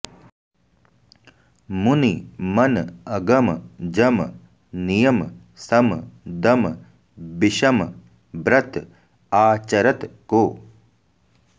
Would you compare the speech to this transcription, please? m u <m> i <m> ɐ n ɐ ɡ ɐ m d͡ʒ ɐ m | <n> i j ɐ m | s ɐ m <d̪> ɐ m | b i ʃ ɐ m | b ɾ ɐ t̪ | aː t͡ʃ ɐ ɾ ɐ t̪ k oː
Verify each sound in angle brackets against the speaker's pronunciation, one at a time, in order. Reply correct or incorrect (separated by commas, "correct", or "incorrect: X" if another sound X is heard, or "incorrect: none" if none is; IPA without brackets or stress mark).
incorrect: n, correct, correct, correct